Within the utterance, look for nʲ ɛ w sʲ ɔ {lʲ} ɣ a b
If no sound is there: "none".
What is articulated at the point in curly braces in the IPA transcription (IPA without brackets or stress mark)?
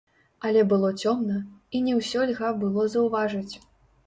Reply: lʲ